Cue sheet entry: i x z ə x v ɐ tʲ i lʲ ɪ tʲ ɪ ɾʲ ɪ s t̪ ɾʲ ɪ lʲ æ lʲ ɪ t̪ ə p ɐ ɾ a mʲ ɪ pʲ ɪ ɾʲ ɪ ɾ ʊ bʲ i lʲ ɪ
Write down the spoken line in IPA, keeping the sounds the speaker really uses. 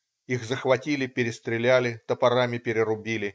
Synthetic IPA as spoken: i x z ə x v ɐ tʲ i lʲ ɪ pʲ ɪ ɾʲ ɪ s t̪ ɾʲ ɪ lʲ æ lʲ ɪ t̪ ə p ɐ ɾ a mʲ ɪ pʲ ɪ ɾʲ ɪ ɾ ʊ bʲ i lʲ ɪ